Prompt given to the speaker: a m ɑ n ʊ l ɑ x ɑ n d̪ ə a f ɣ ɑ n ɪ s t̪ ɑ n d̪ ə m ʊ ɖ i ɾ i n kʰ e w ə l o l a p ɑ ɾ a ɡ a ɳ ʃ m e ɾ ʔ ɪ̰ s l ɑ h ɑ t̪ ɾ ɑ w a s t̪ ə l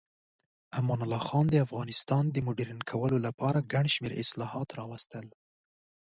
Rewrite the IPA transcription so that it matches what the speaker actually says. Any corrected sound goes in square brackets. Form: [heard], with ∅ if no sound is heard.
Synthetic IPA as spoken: a m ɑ n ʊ l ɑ x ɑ n d̪ ə a f ɣ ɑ n ɪ s t̪ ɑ n d̪ ə m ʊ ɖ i ɾ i n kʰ [a] w ə l o l a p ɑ ɾ a ɡ a ɳ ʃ m e ɾ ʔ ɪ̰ s l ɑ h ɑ t̪ ɾ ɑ w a s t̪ ə l